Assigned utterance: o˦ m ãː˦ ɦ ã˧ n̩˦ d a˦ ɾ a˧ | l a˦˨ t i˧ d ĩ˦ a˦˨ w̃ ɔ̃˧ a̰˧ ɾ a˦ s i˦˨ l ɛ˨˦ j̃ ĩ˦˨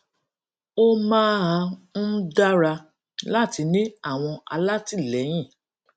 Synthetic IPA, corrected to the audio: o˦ m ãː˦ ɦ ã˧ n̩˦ d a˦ ɾ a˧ | l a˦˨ t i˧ n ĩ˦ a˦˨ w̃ ɔ̃˧ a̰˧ l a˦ t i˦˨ l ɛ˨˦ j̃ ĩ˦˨